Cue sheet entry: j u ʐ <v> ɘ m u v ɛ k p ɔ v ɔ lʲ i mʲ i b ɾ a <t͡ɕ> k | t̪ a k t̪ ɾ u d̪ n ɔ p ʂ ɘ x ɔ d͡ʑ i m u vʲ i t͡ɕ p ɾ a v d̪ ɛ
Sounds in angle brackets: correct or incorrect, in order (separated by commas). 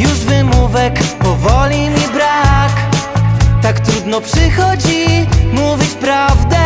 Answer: correct, incorrect